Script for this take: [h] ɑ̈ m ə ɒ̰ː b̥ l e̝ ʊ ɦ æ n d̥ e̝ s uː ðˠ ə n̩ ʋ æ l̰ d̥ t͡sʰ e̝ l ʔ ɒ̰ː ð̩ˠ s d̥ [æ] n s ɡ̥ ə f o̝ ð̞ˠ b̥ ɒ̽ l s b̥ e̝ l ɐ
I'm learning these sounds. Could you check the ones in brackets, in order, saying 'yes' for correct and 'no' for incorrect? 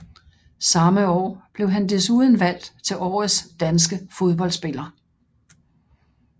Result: no, yes

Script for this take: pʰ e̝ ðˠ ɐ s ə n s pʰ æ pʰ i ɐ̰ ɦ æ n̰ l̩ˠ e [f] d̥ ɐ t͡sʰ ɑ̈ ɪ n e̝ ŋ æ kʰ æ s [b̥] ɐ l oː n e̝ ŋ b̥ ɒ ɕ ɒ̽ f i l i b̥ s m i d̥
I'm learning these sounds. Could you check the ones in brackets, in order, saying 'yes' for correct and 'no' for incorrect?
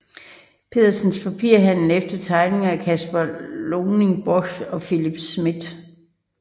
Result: yes, yes

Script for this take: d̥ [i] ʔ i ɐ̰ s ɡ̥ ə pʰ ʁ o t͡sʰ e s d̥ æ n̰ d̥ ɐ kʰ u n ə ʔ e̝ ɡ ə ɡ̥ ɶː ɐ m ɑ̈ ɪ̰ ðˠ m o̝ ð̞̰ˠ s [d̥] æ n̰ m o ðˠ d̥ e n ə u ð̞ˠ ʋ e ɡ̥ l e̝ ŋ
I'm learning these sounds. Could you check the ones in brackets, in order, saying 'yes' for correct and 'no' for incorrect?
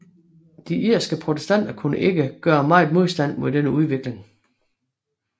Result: yes, yes

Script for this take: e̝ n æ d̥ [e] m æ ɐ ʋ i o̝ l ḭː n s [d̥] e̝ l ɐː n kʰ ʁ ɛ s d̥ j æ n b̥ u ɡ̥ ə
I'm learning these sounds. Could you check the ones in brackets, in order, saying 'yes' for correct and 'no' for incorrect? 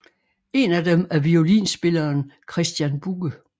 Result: yes, no

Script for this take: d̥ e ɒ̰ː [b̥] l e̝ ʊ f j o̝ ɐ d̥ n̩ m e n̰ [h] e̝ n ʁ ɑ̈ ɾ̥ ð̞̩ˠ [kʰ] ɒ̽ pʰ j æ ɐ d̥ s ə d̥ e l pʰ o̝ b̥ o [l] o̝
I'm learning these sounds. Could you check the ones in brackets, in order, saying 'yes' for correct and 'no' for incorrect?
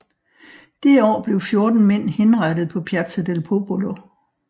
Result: yes, yes, no, yes

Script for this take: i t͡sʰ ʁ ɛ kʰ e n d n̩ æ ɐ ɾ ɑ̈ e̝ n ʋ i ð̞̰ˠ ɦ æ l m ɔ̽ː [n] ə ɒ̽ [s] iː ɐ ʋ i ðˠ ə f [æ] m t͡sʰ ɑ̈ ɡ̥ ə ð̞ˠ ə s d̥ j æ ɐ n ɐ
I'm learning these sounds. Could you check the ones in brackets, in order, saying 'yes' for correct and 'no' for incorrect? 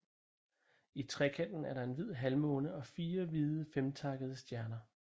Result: yes, no, no

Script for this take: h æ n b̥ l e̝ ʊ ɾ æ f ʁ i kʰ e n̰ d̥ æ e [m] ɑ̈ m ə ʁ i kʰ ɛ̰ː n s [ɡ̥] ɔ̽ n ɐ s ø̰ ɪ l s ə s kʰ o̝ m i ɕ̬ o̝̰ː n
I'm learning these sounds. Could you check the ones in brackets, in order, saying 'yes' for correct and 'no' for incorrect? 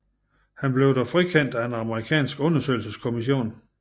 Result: no, yes

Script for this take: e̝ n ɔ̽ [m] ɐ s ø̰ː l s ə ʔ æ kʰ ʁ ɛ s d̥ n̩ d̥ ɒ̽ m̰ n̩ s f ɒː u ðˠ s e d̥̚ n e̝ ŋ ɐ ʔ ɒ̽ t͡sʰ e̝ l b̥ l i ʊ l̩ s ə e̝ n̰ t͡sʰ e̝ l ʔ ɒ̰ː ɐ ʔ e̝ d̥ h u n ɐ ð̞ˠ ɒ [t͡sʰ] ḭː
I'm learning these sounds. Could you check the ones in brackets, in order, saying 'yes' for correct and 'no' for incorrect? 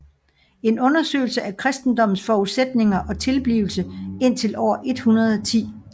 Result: no, yes

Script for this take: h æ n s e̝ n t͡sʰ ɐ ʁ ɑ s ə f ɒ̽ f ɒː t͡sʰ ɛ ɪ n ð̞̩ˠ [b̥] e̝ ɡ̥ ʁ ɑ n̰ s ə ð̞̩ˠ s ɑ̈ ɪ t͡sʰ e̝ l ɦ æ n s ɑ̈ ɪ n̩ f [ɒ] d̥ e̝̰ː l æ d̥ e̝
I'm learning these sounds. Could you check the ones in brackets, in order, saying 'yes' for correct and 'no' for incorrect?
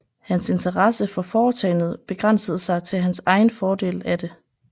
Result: yes, no

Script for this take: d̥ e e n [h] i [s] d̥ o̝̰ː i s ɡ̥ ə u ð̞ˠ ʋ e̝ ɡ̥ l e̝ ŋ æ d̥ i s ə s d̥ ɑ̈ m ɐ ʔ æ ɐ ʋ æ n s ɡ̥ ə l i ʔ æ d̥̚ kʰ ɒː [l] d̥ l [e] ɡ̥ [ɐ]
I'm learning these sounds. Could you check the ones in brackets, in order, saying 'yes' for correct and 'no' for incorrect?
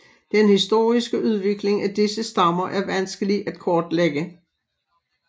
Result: yes, yes, no, yes, no

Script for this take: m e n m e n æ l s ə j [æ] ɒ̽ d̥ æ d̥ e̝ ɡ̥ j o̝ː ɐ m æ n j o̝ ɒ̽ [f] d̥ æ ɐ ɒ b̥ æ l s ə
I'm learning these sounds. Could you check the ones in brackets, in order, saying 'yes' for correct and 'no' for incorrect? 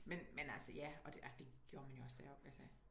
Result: yes, no

